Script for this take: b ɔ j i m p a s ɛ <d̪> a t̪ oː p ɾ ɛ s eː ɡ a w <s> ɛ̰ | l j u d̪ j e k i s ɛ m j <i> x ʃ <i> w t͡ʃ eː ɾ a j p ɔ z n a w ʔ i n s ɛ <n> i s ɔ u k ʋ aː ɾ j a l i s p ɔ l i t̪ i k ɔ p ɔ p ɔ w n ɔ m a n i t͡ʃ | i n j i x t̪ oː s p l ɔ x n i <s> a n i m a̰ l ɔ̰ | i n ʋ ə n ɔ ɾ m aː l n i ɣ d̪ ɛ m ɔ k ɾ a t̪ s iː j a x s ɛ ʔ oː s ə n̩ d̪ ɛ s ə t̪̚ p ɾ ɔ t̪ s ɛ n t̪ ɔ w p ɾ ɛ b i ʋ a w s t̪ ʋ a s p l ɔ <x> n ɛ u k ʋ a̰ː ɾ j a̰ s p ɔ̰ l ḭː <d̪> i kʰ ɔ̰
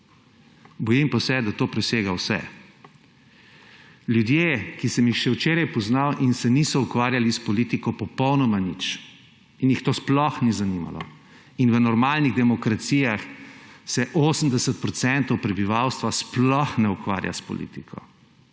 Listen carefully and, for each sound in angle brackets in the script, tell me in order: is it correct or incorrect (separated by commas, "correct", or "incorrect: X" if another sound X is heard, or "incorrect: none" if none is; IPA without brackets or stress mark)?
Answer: correct, correct, correct, incorrect: ɛ, correct, incorrect: z, correct, incorrect: t̪